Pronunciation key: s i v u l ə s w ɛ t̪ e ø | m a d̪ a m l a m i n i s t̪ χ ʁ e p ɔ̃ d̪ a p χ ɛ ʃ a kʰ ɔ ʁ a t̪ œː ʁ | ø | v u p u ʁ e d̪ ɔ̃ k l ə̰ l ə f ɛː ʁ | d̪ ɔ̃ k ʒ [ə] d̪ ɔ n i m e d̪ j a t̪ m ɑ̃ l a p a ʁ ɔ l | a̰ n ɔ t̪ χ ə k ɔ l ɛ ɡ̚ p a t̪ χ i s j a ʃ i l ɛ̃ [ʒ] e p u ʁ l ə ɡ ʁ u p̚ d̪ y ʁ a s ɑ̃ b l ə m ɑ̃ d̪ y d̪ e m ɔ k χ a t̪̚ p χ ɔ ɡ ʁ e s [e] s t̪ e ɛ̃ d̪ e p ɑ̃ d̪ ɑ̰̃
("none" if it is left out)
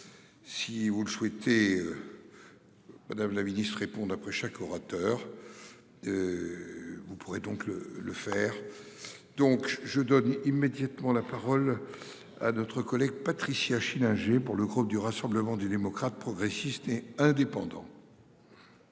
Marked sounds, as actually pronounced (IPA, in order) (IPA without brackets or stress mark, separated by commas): ə, ʒ, i